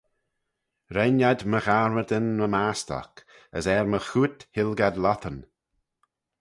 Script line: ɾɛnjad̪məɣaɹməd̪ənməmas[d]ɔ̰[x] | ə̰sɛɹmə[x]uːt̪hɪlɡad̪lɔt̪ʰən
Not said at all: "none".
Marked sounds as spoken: t, k, x

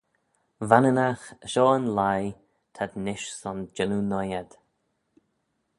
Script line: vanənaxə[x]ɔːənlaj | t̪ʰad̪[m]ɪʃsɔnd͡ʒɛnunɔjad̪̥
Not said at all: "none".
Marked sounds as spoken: ʃ, n

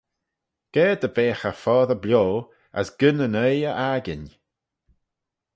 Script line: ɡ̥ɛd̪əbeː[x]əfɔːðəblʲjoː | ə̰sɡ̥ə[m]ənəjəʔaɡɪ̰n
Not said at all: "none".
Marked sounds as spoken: x, n

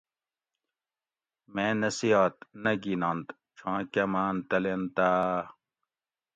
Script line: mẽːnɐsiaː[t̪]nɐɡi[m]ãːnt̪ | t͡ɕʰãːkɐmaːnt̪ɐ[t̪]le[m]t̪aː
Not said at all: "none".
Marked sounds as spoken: t̪, n, none, n

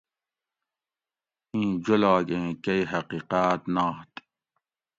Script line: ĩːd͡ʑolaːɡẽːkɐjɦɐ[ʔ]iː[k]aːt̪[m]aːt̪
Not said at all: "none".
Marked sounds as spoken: q, q, n

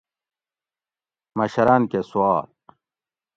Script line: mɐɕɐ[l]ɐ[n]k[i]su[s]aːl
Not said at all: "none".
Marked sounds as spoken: ɾ, n, e, none

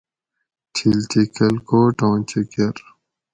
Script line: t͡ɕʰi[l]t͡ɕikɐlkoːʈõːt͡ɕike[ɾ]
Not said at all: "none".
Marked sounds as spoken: l, ɾ

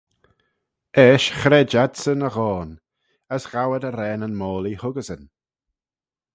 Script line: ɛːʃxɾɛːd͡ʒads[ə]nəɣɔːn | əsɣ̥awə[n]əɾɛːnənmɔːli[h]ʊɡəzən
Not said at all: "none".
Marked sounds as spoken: ə, d, h

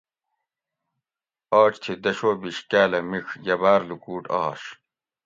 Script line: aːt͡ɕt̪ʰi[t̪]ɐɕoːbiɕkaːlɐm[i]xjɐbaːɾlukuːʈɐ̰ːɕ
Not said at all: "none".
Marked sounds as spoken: d̪, i

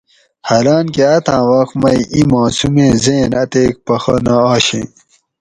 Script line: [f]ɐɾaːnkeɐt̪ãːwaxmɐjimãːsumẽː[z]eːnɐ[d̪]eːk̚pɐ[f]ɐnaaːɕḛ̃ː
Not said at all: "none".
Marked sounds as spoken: h, z, t̪, x

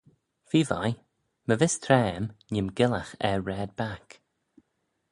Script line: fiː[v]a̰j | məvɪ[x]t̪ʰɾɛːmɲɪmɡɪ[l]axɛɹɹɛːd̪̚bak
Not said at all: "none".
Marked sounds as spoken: v, s, l

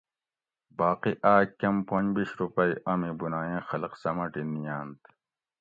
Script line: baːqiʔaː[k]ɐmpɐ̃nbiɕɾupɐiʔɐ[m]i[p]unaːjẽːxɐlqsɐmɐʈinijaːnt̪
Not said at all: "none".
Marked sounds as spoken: k, m, b

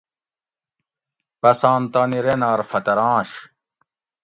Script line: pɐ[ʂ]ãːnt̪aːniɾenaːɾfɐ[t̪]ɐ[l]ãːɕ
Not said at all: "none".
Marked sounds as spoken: s, t̪, ɾ

